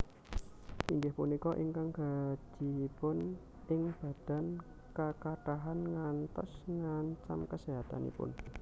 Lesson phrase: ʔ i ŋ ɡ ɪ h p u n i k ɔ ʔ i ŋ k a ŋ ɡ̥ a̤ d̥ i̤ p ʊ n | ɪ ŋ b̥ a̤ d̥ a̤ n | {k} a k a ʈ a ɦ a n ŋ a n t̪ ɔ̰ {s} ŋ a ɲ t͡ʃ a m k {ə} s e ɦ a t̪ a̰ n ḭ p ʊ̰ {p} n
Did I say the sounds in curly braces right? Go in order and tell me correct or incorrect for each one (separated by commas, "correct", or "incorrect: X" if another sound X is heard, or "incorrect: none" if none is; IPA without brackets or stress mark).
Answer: correct, correct, correct, incorrect: none